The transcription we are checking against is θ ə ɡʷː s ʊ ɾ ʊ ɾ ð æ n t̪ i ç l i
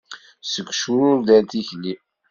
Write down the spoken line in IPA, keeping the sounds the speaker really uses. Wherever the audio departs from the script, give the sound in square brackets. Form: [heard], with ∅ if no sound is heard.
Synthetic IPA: [s] ə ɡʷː [ʃ] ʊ ɾ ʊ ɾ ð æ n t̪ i ç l i